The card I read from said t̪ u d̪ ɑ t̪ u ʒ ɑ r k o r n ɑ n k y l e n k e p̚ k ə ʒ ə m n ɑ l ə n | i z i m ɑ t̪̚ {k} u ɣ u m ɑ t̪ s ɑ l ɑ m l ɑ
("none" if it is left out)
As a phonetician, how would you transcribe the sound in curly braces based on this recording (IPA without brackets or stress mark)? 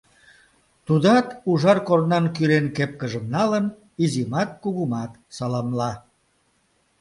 k